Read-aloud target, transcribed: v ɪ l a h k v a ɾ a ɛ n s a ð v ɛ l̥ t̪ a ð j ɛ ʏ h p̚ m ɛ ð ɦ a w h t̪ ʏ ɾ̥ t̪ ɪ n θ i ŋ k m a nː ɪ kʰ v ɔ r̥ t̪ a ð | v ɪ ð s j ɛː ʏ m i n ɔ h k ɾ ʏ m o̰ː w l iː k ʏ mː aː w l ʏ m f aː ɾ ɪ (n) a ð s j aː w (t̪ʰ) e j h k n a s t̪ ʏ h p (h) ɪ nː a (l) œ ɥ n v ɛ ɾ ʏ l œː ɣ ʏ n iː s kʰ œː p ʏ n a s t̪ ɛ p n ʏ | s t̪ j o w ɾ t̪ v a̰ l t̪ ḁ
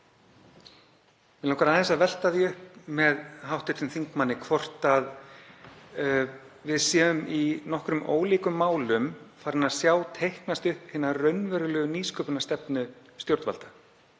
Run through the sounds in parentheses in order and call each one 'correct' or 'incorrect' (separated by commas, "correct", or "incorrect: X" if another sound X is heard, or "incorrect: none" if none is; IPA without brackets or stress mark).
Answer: correct, correct, correct, incorrect: r